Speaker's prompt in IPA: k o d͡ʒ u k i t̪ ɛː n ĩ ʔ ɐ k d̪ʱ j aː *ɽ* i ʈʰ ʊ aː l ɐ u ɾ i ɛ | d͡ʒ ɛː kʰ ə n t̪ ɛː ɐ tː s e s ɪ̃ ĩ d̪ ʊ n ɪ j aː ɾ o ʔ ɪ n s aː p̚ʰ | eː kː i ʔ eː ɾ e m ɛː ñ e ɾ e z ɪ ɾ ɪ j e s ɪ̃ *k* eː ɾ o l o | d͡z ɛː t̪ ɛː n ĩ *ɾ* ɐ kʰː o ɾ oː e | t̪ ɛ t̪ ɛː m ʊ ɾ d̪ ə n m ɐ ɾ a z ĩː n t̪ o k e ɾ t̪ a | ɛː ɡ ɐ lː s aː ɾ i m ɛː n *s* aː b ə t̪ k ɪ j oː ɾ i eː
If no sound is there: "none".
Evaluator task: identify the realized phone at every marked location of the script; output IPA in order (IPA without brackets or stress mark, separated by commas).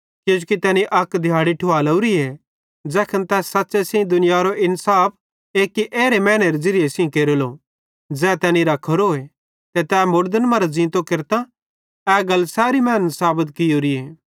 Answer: ɽ, k, ɾ, s